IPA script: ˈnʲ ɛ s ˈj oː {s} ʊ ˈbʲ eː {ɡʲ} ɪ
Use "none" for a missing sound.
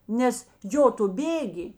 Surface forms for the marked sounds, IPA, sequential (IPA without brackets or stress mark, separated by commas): t, ɡʲ